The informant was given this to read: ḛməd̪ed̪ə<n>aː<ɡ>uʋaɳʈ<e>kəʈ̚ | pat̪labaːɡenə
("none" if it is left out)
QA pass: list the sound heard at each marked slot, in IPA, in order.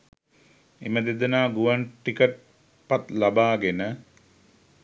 n, ɡ, i

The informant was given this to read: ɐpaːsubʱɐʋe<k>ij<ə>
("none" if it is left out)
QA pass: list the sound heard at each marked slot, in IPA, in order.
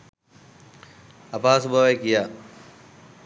k, a

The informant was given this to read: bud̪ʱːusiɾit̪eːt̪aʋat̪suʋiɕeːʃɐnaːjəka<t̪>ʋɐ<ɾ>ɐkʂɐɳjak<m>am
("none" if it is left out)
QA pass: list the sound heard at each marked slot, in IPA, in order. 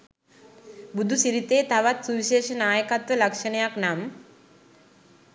t̪, l, n

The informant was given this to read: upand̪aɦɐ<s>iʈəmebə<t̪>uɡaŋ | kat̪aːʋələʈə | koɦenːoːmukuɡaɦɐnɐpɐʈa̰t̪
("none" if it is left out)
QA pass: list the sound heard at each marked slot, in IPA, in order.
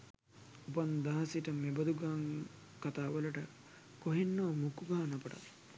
s, d̪

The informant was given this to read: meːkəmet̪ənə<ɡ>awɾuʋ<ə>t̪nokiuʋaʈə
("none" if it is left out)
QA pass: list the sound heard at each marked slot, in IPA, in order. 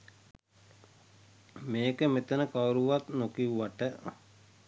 k, a

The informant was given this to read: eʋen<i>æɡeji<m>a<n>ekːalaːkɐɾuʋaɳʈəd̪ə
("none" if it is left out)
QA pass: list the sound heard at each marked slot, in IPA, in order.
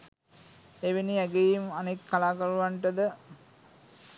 i, m, n

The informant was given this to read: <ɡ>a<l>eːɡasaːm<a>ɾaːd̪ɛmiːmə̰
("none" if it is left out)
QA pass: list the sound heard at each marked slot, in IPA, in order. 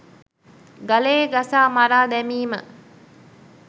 ɡ, l, a

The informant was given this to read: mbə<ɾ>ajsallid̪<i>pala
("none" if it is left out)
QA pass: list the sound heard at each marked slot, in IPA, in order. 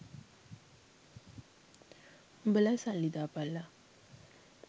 l, a

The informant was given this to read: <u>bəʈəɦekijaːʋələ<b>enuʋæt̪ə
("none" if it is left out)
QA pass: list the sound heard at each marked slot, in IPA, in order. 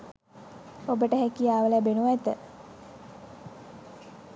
o, b

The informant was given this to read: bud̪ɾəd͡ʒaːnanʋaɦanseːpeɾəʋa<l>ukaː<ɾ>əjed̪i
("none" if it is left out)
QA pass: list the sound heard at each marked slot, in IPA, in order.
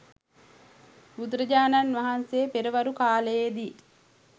ɾ, l

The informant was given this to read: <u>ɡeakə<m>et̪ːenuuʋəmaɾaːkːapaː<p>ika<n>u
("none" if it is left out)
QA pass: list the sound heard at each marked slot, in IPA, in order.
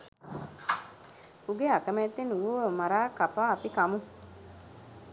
u, m, p, m

